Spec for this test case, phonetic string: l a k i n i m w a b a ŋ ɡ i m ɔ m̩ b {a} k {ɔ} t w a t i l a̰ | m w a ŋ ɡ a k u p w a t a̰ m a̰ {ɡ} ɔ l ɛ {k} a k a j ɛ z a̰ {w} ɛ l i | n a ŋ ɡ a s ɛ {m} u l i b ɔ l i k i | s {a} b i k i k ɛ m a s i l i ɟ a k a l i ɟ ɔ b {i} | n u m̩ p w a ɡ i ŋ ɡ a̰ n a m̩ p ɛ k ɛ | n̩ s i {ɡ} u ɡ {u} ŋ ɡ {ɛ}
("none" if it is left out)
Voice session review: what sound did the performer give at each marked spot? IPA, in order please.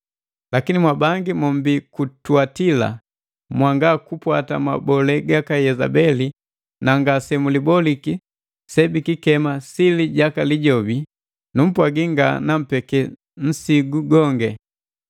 i, u, b, ɡ, b, m, ɛ, i, ɡ, ɔ, ɛ

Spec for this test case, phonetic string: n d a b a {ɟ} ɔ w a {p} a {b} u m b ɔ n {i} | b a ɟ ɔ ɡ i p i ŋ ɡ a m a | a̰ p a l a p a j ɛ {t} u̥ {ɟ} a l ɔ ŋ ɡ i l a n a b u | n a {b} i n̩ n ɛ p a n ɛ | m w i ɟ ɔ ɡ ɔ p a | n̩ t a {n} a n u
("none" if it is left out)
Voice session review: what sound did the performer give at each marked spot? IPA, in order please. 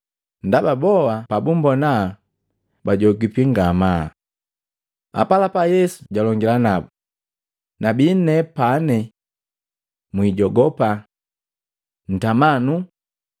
b, p, b, a, s, ɟ, b, m

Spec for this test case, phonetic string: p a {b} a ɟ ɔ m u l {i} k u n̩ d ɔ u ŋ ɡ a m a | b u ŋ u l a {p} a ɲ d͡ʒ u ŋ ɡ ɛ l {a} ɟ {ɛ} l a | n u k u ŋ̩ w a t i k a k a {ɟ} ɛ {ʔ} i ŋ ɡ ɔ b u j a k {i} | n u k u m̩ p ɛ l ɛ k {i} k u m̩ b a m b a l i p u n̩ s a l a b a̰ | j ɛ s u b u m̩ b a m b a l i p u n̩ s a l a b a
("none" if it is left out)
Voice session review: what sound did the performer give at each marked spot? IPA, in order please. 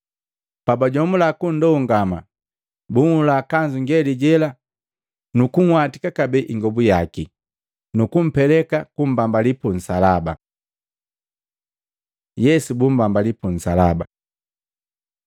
b, a, k, i, ɛ, b, ʔ, i, a

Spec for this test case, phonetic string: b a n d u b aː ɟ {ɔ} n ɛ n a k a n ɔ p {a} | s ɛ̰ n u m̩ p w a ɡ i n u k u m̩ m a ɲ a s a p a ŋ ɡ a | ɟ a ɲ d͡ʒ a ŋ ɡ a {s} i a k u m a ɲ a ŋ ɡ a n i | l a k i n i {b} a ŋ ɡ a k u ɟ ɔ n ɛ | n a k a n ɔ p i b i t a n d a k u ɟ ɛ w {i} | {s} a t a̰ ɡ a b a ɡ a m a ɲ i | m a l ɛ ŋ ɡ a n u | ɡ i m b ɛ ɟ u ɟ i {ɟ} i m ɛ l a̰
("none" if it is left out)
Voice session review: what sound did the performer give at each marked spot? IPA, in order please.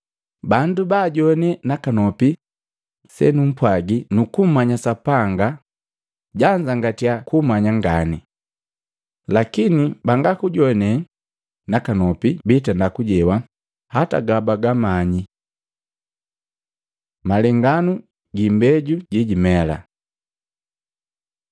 ɔ, i, t, b, a, h, ɟ

